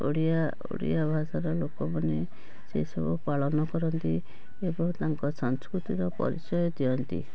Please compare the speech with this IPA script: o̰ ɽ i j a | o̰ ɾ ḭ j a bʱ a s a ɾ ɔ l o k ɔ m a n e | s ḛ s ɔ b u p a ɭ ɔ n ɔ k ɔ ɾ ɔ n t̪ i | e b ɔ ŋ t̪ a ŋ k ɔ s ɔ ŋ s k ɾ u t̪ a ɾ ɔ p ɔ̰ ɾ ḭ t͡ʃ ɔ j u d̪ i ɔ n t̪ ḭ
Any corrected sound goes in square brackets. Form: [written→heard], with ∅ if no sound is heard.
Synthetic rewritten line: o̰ ɽ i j a | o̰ [ɾ→ɽ] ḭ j a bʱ a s a ɾ ɔ l o k ɔ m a n e | s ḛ s ɔ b u p a ɭ ɔ n ɔ k ɔ ɾ ɔ n t̪ i | e b ɔ ŋ t̪ a ŋ k ɔ s ɔ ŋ s k ɾ u t̪ [a→i] ɾ ɔ p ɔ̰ ɾ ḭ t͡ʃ ɔ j [u→ɔ] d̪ i ɔ n t̪ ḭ